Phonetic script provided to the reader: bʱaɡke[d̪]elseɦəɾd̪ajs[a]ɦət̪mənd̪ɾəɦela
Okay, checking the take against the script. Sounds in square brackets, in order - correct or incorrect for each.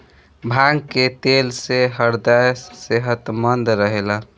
incorrect: t̪, incorrect: e

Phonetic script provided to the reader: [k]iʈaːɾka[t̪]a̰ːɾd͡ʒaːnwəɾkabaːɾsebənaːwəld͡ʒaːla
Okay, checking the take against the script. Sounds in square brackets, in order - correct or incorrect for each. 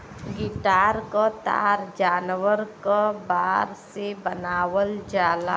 incorrect: ɡ, correct

